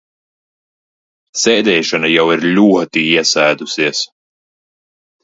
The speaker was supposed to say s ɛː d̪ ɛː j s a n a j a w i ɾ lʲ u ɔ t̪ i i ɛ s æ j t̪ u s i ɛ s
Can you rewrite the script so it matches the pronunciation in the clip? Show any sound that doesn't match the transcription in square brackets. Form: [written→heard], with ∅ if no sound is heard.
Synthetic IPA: s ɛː d̪ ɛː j [s→ʃ] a n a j a w i ɾ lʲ u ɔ t̪ i i ɛ s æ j [t̪→d̪] u s i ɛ s